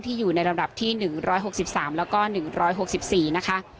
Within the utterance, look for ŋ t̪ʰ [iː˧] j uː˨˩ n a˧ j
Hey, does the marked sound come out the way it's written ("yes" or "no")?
no